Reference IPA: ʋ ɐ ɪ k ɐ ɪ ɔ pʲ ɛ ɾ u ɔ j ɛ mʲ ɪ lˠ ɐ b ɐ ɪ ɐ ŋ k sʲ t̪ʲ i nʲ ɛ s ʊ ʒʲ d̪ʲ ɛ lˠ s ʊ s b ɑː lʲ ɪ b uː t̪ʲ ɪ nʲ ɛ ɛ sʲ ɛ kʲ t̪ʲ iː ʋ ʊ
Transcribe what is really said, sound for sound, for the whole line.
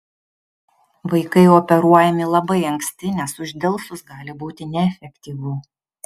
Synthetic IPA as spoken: ʋ ɐ ɪ k ɐ ɪ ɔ pʲ ɛ ɾ u ɔ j ɛ mʲ ɪ lˠ ɐ b ɐ ɪ ɐ ŋ k sʲ t̪ʲ ɪ nʲ ɛ s ʊ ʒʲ d̪ʲ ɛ lˠ s ʊ s ɡ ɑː lʲ ɪ b uː t̪ʲ ɪ nʲ ɛ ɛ fʲ ɛ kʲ t̪ʲ iː ʋ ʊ